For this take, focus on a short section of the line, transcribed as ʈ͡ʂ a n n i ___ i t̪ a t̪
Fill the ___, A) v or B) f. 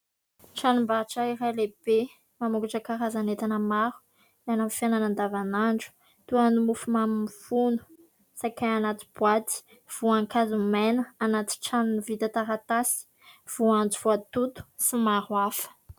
A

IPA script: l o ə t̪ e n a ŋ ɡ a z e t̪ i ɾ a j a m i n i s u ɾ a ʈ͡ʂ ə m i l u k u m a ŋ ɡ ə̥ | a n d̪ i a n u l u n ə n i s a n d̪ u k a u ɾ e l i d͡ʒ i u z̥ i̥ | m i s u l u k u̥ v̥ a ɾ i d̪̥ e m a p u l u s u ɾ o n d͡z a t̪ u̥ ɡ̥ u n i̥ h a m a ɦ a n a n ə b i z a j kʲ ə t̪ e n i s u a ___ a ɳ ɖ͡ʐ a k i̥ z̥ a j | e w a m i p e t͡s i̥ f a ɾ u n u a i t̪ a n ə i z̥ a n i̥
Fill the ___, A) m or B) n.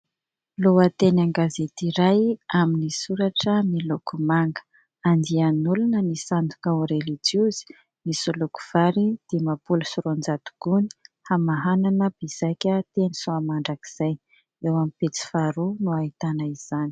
A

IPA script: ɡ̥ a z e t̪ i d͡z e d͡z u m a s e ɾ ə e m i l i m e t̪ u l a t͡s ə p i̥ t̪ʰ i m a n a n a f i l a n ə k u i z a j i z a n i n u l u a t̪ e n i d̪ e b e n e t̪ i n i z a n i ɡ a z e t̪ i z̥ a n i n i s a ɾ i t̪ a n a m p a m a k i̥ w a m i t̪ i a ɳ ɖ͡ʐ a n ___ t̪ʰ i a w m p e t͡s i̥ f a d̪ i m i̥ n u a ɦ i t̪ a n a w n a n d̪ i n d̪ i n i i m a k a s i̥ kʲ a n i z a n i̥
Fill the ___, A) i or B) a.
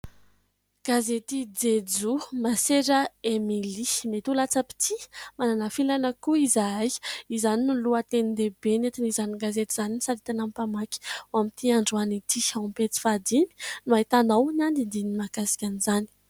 A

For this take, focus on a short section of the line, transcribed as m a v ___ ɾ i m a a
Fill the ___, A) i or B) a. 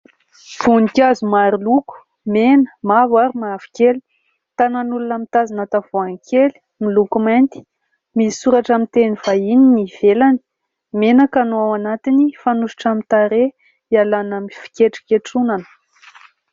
B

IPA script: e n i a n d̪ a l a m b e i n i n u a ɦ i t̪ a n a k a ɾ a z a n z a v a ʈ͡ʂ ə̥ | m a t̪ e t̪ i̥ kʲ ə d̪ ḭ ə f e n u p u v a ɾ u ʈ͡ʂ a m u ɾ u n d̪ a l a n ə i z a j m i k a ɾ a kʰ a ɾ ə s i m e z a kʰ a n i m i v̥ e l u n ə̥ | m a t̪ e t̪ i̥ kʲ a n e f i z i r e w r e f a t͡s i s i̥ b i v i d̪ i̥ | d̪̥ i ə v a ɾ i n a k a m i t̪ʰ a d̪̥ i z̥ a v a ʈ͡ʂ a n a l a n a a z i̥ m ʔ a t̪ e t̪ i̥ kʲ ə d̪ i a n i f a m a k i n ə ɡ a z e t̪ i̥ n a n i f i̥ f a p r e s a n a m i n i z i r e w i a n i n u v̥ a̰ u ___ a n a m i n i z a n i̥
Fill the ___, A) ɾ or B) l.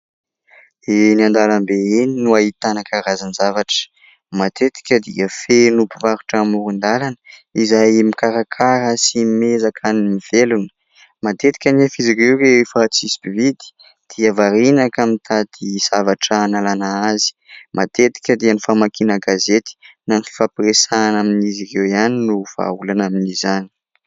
B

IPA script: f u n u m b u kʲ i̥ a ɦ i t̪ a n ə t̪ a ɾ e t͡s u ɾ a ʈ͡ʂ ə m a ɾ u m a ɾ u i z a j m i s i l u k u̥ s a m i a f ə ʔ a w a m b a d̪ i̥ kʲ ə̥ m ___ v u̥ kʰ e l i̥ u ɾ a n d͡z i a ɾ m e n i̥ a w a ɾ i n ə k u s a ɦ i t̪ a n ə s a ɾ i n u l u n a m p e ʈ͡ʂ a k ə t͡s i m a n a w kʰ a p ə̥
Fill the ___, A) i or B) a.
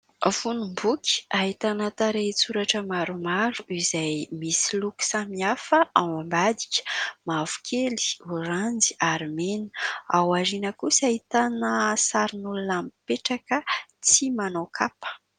B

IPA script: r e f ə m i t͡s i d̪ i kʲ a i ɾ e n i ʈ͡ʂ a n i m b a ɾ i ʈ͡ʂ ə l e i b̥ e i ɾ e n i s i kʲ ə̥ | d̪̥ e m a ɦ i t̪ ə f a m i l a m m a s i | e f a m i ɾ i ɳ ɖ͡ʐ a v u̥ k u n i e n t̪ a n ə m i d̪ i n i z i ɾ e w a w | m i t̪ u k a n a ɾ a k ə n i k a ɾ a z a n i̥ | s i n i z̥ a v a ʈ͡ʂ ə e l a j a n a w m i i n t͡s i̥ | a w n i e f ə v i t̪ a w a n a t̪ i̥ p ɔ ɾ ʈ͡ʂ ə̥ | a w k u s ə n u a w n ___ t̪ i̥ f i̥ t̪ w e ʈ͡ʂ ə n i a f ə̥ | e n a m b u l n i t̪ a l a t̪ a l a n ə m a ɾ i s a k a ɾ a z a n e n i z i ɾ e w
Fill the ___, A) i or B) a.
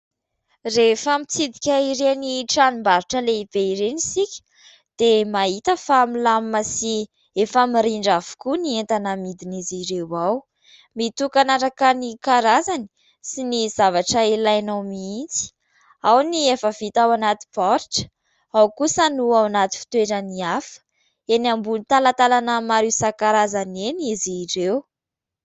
B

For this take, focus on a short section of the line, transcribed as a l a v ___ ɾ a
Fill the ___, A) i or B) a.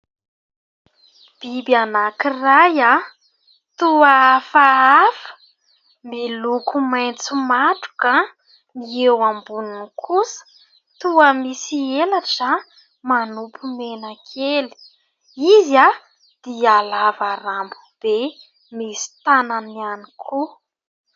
B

